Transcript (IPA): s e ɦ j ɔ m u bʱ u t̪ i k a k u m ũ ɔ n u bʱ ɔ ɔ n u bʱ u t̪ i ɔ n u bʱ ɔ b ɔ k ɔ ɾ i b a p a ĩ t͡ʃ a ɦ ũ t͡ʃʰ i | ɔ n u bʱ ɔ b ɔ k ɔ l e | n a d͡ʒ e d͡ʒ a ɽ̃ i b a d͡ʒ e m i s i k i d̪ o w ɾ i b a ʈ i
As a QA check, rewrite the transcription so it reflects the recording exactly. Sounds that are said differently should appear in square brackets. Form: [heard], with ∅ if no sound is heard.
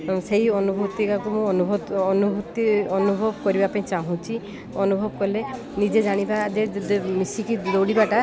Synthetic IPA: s e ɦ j ɔ [n] u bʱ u t̪ i k a k u m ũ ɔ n u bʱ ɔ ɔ n u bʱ u t̪ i ɔ n u bʱ ɔ b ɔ k ɔ ɾ i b a p a ĩ t͡ʃ a ɦ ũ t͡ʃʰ i | ɔ n u bʱ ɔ b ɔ k ɔ l e | n [i] d͡ʒ e d͡ʒ a ɽ̃ i b a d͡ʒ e m i s i k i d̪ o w [ɽ] i b a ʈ [a]